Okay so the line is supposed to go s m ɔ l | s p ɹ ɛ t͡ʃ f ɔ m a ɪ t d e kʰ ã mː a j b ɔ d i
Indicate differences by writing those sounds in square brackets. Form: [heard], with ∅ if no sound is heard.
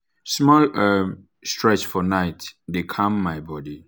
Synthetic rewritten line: s m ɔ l | s [t] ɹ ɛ t͡ʃ f ɔ [n] a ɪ t d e kʰ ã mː a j b ɔ d i